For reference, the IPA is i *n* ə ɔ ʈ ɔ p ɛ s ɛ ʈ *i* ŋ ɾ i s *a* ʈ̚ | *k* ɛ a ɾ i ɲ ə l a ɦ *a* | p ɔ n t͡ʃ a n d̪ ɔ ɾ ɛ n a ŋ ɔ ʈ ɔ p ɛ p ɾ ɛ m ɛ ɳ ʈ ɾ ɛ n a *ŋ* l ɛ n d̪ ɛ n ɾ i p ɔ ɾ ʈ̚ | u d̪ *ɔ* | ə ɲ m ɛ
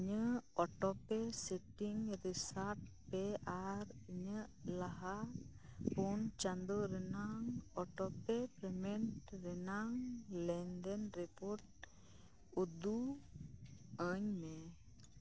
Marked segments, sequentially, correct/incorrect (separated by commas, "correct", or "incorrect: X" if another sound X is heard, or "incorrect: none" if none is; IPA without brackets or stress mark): incorrect: ɲ, correct, correct, incorrect: p, correct, correct, incorrect: u